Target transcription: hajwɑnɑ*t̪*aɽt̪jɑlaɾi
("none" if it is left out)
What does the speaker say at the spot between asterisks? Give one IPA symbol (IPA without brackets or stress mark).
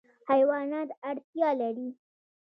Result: t̪